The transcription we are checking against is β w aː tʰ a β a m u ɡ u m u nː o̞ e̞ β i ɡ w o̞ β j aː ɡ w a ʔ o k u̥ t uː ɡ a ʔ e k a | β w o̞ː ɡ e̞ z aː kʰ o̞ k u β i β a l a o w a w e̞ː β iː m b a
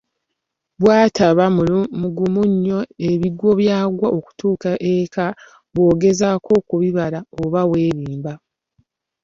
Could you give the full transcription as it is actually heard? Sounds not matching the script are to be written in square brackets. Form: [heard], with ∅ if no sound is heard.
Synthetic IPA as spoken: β w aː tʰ a β a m u ɡ u m u [ɲː] o̞ e̞ β i ɡ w o̞ β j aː ɡ w a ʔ o k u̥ t uː [k] a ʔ e k a | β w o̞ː ɡ e̞ z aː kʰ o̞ k u β i β a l a o [β] a w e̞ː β iː m b a